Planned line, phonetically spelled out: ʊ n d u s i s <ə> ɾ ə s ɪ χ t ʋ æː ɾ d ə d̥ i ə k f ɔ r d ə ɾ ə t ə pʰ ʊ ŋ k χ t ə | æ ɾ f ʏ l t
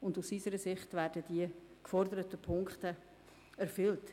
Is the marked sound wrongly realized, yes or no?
no